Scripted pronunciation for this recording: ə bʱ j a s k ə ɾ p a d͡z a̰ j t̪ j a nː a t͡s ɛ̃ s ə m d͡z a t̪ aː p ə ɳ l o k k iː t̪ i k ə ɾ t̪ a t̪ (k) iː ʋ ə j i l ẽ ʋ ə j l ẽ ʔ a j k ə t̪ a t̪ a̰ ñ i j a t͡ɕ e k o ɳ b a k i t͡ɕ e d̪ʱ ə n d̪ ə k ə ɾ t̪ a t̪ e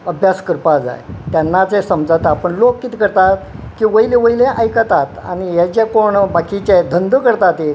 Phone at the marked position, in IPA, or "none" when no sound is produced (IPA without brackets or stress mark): k